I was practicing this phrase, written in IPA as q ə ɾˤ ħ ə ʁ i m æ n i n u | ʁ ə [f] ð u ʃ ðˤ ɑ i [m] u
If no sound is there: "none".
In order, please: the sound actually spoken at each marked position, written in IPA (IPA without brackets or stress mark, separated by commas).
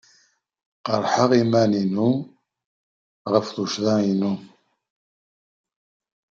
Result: f, n